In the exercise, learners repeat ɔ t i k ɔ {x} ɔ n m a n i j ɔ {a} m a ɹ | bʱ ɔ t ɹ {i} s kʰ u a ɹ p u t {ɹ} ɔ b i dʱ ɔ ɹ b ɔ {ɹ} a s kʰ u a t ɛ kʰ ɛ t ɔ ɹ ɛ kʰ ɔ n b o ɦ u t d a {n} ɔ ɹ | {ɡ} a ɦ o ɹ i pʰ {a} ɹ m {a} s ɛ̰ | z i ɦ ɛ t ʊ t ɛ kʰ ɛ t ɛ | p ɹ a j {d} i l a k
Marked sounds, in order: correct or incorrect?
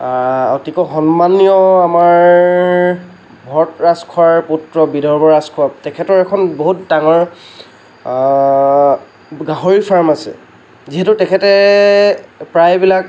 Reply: correct, correct, incorrect: a, correct, correct, incorrect: ŋ, correct, correct, correct, incorrect: b

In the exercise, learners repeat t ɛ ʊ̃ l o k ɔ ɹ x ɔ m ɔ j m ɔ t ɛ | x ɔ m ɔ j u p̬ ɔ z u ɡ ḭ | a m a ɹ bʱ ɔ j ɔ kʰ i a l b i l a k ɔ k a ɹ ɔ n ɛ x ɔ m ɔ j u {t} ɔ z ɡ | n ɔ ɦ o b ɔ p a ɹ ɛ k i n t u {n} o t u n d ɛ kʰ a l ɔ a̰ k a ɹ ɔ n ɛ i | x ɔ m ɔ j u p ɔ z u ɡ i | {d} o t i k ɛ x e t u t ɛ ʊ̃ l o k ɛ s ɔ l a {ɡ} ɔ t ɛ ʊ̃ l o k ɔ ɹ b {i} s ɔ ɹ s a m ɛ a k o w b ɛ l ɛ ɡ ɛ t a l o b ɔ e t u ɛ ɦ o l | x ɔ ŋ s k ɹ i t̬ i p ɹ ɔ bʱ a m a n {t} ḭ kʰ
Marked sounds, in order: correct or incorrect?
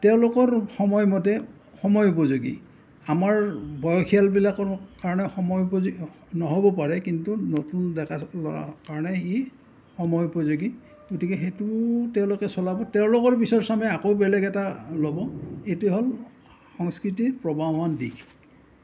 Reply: incorrect: p, correct, incorrect: ɡ, incorrect: b, correct, incorrect: d

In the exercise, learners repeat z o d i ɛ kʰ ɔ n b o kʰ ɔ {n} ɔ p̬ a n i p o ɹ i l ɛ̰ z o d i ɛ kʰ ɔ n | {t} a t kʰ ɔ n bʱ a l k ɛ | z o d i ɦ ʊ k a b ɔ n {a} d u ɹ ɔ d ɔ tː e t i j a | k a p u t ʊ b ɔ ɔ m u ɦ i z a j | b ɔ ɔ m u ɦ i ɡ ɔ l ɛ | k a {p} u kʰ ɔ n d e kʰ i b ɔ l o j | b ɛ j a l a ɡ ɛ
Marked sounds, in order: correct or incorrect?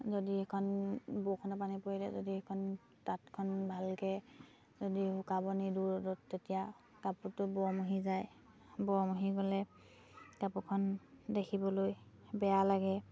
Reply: correct, correct, incorrect: i, correct

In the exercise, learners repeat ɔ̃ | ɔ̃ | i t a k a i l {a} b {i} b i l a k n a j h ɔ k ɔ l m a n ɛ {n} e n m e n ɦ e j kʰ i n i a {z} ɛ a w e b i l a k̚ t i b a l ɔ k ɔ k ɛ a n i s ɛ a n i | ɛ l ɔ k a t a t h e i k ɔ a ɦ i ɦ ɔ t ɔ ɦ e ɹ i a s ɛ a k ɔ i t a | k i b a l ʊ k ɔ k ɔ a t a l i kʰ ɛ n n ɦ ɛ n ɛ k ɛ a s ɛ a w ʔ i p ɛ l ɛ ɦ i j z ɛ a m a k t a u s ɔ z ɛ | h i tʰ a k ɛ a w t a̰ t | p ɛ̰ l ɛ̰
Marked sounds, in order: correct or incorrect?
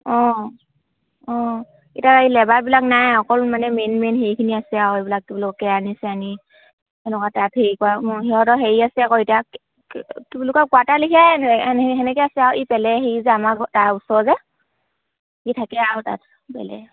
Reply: incorrect: ɛ, incorrect: a, incorrect: m, incorrect: s

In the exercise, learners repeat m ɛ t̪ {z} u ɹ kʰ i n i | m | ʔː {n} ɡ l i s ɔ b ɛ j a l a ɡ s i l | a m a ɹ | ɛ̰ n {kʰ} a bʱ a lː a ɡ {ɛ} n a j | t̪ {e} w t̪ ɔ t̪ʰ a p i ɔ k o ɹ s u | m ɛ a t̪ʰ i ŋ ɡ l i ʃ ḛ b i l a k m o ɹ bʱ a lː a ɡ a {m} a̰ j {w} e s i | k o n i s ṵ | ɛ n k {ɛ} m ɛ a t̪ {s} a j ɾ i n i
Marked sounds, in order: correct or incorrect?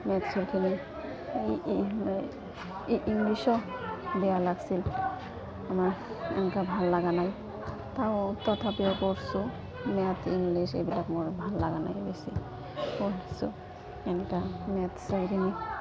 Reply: incorrect: s, incorrect: ŋ, incorrect: k, incorrect: a, incorrect: a, incorrect: n, incorrect: b, incorrect: a, correct

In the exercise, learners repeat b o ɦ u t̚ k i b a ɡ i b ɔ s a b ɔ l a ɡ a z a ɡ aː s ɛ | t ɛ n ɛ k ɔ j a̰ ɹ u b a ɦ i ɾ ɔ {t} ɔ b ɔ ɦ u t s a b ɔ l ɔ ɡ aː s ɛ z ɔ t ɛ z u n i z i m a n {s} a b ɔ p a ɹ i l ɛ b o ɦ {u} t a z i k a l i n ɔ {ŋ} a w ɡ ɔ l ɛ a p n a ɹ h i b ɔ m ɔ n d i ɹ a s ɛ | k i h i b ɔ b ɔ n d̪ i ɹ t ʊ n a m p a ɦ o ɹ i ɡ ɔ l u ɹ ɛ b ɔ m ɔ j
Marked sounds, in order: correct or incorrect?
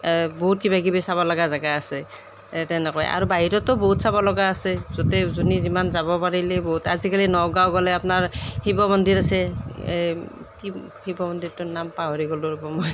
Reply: correct, incorrect: z, correct, incorrect: ɡ

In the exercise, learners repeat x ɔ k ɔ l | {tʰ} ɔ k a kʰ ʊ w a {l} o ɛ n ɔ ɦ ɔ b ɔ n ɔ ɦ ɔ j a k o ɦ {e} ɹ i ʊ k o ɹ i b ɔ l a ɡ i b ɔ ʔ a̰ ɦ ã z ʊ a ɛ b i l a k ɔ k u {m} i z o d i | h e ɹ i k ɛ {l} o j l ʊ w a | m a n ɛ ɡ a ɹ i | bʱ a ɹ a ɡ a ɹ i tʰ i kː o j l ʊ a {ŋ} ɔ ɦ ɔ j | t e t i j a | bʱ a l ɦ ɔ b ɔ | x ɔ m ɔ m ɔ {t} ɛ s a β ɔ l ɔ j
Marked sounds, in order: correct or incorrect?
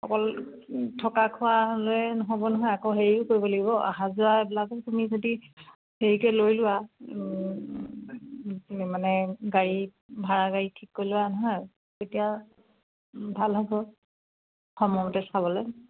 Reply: correct, correct, correct, correct, correct, incorrect: n, correct

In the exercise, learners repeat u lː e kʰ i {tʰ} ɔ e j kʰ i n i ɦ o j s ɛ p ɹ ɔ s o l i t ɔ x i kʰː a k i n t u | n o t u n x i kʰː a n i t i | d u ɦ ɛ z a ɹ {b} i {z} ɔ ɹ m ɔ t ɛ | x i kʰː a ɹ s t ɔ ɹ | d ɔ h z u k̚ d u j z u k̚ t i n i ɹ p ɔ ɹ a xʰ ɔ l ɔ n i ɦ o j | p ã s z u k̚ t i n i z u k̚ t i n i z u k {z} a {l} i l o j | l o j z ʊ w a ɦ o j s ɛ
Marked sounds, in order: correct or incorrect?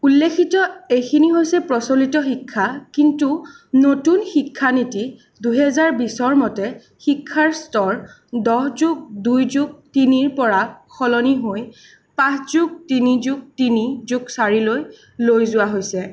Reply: incorrect: t, correct, incorrect: s, incorrect: s, incorrect: ɹ

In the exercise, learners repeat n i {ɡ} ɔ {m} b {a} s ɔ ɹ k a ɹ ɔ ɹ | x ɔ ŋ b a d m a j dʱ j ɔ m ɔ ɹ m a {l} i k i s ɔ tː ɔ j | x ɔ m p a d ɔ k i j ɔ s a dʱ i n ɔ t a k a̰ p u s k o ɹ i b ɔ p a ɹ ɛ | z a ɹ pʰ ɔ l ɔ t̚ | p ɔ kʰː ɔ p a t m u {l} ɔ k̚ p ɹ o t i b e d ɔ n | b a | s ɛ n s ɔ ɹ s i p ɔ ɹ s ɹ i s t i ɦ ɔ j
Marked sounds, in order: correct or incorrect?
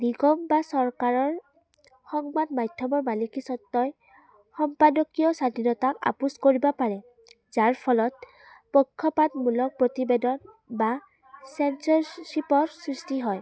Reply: correct, correct, correct, correct, correct

